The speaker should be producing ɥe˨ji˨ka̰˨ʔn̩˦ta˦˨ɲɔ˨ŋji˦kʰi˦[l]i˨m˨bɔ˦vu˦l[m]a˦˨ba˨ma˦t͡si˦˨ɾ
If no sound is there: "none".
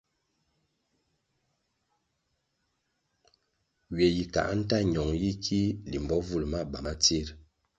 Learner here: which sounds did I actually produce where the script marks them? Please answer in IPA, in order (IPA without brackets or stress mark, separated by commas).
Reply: l, m